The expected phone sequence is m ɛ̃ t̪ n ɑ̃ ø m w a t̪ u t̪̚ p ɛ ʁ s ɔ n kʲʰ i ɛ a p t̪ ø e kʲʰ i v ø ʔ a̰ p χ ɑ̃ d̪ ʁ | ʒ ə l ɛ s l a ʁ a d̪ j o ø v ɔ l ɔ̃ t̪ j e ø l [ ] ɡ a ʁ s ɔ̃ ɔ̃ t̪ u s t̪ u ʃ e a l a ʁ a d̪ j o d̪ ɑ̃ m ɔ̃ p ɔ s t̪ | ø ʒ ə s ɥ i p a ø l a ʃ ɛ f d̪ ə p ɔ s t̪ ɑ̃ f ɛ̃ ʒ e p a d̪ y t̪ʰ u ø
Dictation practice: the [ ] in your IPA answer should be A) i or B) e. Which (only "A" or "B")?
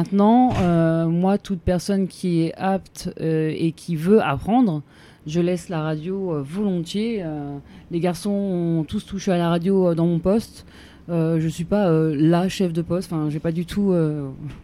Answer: B